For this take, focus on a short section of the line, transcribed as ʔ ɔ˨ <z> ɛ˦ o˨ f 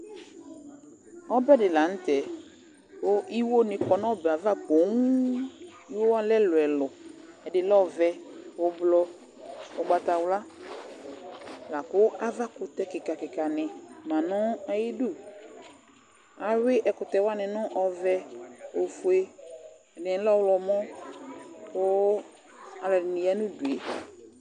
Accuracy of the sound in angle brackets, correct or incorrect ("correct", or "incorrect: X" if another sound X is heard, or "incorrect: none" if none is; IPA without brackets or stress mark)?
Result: incorrect: v